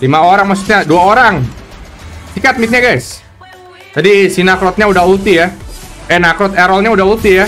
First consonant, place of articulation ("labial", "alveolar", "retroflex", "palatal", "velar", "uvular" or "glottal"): alveolar